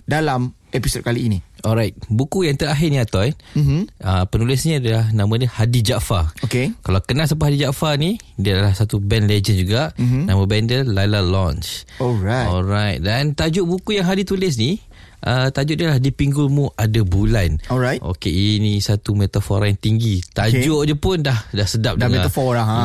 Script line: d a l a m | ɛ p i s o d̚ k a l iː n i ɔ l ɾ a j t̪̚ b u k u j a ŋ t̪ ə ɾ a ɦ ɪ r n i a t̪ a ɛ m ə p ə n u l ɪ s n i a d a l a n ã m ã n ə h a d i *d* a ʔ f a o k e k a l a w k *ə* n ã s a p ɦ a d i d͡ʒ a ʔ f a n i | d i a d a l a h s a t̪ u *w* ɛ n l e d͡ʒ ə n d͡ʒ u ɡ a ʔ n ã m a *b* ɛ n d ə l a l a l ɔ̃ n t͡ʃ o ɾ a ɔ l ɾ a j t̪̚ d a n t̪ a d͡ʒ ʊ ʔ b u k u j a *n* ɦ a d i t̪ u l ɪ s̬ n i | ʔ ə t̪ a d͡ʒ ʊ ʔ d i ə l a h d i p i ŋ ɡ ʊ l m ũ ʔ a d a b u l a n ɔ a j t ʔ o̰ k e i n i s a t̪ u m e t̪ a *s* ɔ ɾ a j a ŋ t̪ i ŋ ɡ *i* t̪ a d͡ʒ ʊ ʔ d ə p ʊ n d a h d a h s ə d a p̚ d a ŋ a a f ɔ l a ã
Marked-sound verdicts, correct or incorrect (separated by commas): incorrect, correct, incorrect, correct, incorrect, incorrect, correct